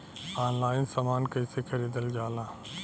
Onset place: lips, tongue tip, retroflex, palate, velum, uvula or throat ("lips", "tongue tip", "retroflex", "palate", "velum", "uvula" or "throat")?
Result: tongue tip